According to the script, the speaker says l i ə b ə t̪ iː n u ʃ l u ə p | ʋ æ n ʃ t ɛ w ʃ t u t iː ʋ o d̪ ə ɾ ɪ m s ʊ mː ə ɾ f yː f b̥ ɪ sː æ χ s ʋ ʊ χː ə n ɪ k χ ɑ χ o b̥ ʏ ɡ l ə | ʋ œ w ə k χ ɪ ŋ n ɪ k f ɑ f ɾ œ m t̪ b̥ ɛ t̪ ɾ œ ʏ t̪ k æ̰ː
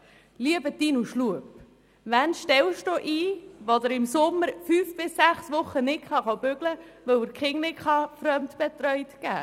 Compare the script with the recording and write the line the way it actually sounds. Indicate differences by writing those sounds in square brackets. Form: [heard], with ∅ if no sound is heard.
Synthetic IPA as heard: l i ə b ə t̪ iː n u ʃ l u ə p | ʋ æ n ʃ t ɛ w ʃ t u [ʔ] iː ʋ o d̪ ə ɾ ɪ m s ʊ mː ə ɾ f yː f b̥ ɪ sː æ χ s ʋ ʊ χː ə n ɪ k χ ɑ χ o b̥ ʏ ɡ l ə | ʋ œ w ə k χ ɪ ŋ n ɪ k [χ] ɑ f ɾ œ m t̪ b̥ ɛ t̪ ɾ œ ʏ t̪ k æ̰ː